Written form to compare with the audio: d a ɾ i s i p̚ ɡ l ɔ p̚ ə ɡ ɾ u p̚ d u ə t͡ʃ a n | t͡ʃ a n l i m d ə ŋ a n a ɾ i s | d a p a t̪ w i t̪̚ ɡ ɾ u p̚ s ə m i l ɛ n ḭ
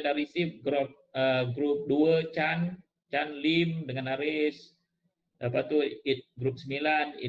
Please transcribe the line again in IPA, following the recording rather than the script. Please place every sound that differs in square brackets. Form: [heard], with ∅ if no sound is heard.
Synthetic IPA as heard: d a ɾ i s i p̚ ɡ [ɾ] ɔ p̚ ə ɡ ɾ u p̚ d u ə t͡ʃ a n | t͡ʃ a n l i m d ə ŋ a n a ɾ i s | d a p a t̪ [u] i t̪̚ ɡ ɾ u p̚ s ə m i l [a] n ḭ